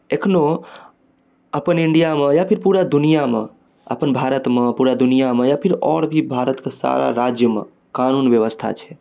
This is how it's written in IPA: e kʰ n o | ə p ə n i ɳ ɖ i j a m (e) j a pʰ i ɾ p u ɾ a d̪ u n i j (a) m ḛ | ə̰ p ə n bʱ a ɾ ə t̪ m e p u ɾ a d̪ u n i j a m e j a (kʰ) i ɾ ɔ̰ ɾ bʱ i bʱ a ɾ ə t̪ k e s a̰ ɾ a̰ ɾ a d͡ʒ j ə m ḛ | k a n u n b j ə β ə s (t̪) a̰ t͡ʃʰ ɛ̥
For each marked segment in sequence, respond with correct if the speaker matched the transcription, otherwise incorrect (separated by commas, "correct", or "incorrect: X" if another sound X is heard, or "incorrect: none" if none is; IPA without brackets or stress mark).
correct, correct, incorrect: pʰ, incorrect: t̪ʰ